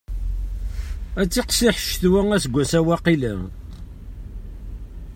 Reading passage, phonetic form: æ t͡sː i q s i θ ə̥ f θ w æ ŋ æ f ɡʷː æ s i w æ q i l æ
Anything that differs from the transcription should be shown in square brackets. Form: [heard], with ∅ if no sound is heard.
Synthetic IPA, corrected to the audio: æ t͡sː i q s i [ħ] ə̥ [ʃ] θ w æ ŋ æ [s] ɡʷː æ s [æ] w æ q i l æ